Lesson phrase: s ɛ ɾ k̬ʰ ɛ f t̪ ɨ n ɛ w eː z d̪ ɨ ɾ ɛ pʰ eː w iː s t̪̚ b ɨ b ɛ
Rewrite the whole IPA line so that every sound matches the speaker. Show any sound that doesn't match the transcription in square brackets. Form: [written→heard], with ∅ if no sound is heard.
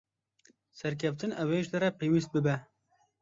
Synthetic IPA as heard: s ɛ ɾ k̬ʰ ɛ f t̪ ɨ n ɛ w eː [z→ʒ] d̪ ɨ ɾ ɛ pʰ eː w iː s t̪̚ b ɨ b ɛ